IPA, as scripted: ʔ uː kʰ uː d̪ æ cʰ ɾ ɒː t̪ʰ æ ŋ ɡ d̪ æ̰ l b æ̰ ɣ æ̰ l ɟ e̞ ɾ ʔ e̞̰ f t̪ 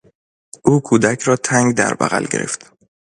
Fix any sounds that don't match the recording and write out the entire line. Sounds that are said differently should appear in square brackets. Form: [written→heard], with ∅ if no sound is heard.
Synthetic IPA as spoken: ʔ uː kʰ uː d̪ æ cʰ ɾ ɒː t̪ʰ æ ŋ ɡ d̪ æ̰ [l→ɾ] b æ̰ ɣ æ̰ l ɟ e̞ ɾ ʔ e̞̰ f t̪